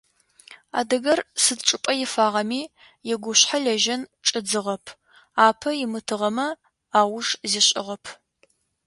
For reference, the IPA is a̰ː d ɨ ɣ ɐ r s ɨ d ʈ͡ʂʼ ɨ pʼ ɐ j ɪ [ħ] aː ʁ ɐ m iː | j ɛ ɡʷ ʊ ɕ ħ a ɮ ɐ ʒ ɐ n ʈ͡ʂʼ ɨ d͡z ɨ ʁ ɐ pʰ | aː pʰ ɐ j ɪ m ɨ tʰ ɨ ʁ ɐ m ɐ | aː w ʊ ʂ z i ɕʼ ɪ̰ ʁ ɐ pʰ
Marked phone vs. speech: incorrect: f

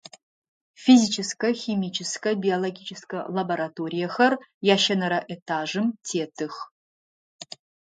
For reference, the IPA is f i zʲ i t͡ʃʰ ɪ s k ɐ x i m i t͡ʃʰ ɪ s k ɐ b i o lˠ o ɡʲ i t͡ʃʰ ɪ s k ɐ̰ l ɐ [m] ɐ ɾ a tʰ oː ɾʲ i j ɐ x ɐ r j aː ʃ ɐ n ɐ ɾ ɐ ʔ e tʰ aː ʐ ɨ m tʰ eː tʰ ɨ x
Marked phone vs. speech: incorrect: b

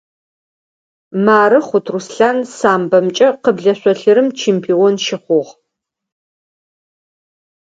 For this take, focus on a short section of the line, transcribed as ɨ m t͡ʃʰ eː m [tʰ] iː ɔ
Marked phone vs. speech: incorrect: pʰ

